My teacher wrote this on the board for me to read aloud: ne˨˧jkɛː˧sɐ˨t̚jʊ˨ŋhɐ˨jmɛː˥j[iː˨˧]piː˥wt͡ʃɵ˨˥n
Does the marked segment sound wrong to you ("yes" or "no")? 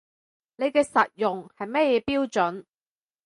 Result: yes